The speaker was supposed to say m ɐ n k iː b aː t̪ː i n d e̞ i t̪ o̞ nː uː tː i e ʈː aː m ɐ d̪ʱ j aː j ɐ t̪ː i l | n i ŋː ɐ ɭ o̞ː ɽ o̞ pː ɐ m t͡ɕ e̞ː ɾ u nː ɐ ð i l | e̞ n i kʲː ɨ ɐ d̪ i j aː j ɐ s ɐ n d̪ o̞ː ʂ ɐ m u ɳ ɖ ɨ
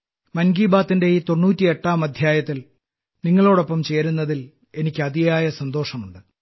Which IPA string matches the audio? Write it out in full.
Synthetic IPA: m ɐ n ɡ iː b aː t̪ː i n d e̞ i t̪ o̞ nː uː tː i e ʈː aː m ɐ d̪ʱ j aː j ɐ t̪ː i l | n i ŋː ɐ ɭ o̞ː ɽ o̞ pː ɐ m t͡ɕ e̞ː ɾ u nː ɐ ð i l | e̞ n i kʲː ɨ ɐ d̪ i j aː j ɐ s ɐ n d̪ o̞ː ʂ ɐ m u ɳ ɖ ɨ